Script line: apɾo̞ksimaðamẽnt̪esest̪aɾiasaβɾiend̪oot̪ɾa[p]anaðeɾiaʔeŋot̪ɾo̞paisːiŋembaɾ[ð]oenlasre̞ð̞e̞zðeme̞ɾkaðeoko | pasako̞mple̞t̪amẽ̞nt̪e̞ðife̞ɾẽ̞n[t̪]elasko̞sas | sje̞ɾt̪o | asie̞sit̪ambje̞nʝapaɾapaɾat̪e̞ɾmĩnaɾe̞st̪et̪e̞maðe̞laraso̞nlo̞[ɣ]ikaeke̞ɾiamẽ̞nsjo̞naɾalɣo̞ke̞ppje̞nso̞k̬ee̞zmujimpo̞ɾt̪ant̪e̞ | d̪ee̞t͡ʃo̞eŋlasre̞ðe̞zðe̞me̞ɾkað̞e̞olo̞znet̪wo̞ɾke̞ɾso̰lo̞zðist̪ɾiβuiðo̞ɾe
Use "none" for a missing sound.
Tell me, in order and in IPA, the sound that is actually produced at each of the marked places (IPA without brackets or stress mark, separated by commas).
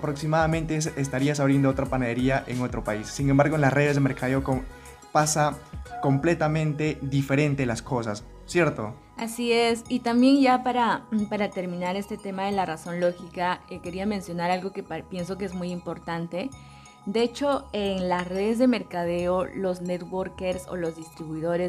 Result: p, ɣ, t̪, x